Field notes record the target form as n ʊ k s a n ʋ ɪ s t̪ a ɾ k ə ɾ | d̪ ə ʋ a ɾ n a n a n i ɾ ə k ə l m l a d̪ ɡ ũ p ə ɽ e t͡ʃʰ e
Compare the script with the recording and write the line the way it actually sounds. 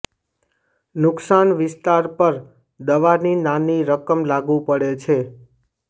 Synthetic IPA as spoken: n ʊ k s a n ʋ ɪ s t̪ a ɾ p ə ɾ | d̪ ə ʋ a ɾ n i n a n i ɾ ə k ə m l a ɡ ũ p ə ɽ e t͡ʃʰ e